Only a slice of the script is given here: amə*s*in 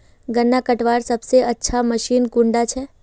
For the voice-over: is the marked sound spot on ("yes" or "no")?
no